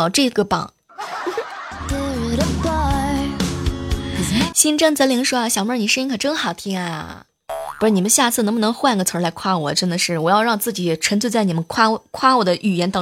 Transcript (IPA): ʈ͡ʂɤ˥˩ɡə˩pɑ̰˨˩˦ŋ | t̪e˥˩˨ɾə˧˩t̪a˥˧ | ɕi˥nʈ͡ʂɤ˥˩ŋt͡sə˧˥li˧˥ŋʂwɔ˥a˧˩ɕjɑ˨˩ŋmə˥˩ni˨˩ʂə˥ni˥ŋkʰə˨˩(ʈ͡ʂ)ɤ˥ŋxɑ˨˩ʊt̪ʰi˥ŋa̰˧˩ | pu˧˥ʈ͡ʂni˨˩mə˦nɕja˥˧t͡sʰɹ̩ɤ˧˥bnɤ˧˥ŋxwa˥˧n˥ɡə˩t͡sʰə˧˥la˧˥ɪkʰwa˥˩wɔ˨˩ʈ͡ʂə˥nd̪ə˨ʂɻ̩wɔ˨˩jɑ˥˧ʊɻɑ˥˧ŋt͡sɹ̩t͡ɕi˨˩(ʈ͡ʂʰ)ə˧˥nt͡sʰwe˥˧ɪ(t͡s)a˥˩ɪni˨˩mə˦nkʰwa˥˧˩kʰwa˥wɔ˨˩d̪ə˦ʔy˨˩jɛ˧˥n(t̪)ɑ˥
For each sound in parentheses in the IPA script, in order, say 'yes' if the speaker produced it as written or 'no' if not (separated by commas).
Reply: yes, yes, yes, yes